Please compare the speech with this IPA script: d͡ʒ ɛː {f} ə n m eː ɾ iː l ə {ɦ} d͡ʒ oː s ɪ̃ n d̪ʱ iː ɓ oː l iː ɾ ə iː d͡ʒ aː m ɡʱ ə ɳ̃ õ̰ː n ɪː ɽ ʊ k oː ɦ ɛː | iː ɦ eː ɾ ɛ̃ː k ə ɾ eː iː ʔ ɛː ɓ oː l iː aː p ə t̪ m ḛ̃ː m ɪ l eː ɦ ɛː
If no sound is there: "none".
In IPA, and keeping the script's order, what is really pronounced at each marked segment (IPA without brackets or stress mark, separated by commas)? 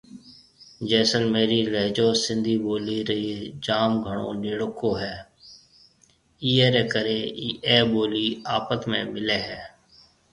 s, ɦ